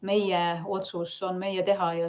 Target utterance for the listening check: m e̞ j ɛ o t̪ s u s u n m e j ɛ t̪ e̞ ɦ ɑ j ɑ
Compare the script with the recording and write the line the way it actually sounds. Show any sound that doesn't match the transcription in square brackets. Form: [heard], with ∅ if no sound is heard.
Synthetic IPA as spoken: m e̞ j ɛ o t̪ s u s [o] n m e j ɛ t̪ e̞ ɦ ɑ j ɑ